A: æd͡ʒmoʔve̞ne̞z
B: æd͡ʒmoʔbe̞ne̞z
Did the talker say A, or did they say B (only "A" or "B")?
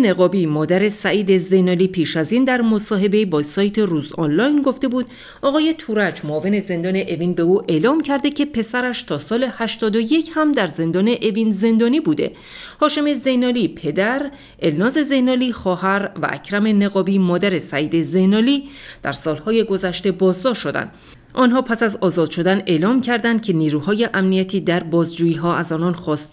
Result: A